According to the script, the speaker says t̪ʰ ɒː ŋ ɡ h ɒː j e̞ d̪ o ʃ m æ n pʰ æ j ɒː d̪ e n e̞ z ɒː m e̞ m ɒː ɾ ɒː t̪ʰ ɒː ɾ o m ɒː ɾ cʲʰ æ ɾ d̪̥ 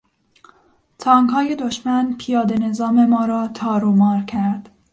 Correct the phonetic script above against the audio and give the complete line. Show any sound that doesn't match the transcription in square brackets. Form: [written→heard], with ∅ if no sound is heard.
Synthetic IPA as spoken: t̪ʰ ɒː ŋ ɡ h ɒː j e̞ d̪ o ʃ m æ n pʰ [æ→i] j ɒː d̪ e n e̞ z ɒː m e̞ m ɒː ɾ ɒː t̪ʰ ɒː ɾ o m ɒː ɾ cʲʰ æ ɾ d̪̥

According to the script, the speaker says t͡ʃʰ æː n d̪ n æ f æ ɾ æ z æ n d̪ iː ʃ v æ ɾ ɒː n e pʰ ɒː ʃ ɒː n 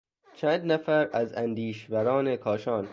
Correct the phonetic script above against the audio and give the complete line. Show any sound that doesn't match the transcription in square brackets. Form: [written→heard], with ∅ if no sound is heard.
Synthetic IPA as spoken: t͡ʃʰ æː n d̪ n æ f æ ɾ æ z æ n d̪ iː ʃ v æ ɾ ɒː n e [pʰ→kʰ] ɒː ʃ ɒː n

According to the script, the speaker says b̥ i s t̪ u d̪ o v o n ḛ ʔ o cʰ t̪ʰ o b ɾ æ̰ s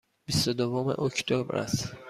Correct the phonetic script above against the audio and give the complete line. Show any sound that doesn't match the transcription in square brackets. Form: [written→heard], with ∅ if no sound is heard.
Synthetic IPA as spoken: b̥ i s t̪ [u→o] d̪ o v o [n→m] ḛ ʔ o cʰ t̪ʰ o b ɾ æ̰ s

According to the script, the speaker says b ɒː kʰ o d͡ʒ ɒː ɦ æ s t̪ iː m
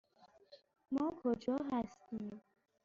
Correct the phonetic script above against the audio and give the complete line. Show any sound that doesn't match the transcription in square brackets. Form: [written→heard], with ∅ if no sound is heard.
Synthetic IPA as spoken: [b→m] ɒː kʰ o d͡ʒ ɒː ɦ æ s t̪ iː m

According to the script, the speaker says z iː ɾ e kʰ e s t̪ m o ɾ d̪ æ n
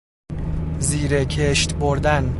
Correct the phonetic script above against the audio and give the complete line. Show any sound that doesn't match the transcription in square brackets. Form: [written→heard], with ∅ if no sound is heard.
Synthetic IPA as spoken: z iː ɾ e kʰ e [s→ʃ] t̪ [m→b] o ɾ d̪ æ n

